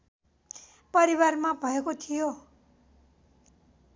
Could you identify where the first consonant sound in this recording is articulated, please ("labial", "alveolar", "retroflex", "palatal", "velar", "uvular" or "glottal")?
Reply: labial